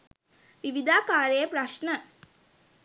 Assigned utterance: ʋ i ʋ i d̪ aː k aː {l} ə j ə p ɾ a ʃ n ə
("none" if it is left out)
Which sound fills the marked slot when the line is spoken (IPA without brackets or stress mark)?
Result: ɾ